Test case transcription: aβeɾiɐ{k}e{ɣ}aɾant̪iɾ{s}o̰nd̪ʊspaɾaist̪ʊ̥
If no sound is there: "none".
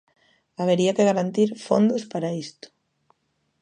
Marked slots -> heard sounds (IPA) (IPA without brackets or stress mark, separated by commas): k, ɣ, f